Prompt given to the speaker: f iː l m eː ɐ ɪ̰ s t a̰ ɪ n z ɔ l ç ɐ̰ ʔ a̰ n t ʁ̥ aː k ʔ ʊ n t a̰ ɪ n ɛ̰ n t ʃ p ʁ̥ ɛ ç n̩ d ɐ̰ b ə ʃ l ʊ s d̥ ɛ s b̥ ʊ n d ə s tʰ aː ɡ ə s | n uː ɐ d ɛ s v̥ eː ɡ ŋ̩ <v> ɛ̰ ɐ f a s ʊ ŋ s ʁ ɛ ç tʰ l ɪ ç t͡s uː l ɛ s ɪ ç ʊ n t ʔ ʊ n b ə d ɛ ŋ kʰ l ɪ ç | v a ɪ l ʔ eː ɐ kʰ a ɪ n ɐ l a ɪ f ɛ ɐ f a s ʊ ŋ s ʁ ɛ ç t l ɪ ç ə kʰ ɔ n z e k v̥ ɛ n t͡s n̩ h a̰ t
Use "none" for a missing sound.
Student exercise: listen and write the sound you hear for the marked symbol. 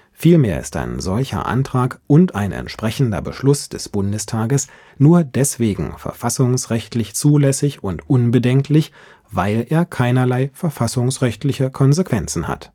f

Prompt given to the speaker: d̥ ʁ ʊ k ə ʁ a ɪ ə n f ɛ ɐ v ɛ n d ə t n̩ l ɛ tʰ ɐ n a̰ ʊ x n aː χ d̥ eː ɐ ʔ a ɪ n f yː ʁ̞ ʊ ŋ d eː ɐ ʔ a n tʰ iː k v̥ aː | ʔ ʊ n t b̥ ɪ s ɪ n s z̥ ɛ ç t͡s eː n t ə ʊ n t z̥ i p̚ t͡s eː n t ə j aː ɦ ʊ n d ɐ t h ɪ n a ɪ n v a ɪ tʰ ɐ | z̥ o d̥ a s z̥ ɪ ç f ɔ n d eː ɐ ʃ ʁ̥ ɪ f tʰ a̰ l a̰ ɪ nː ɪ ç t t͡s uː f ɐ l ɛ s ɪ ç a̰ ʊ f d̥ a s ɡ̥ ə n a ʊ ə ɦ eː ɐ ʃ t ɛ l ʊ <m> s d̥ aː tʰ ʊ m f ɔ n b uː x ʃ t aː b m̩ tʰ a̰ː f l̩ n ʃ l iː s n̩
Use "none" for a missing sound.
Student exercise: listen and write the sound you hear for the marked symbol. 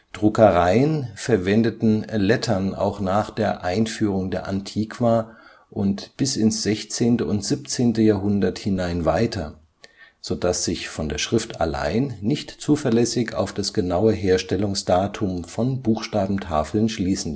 ŋ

